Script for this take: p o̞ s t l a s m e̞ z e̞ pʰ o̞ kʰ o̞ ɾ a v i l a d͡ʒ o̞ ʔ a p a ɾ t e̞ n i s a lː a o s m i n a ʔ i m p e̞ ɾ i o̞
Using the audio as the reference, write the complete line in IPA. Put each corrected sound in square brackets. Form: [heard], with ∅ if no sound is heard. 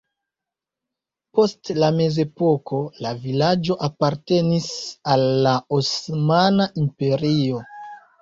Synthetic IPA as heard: p o̞ s t l a [∅] m e̞ z e̞ [p] o̞ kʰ o̞ [l] a v i l a d͡ʒ o̞ ʔ a p a ɾ t e̞ n i s a lː a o s m [a] n a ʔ i m p e̞ ɾ i o̞